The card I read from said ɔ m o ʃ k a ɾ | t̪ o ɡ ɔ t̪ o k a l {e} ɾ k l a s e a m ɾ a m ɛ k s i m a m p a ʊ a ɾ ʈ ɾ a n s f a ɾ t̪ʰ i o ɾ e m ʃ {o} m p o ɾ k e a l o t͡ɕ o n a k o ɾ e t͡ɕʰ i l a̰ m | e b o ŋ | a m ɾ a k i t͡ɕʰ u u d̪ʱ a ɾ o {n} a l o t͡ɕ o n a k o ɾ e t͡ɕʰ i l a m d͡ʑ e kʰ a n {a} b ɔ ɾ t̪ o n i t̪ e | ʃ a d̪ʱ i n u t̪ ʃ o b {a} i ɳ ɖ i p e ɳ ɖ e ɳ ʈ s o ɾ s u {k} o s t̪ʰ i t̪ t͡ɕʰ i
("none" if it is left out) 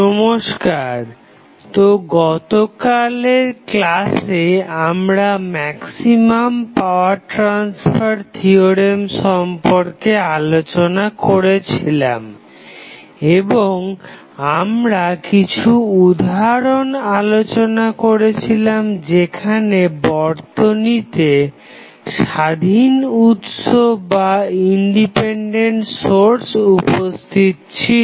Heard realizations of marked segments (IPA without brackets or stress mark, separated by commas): e, ɔ, n, e, a, p